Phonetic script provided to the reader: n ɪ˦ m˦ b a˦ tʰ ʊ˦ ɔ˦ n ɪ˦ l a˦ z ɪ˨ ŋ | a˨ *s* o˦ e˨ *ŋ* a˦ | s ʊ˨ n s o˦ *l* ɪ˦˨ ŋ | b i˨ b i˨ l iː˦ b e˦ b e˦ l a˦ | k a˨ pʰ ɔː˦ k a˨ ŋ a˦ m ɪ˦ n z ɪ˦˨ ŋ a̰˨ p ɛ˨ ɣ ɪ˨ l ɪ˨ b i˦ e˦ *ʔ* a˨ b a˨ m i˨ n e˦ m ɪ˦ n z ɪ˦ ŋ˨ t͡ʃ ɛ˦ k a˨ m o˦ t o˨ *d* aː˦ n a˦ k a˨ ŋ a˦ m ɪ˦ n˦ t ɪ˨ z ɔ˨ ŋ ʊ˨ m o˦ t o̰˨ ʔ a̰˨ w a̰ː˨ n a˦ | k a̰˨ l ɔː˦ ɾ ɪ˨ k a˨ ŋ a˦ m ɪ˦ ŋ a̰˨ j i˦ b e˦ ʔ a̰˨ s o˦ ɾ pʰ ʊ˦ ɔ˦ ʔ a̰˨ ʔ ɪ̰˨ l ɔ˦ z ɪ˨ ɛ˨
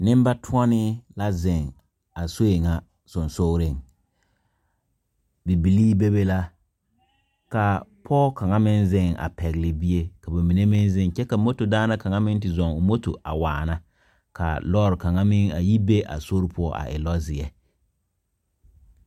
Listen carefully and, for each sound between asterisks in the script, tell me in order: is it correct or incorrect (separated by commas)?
correct, correct, incorrect, incorrect, correct